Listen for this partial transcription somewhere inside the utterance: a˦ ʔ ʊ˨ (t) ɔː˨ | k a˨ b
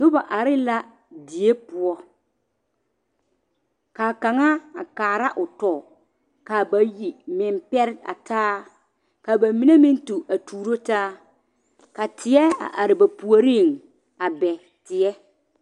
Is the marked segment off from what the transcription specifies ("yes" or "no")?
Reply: no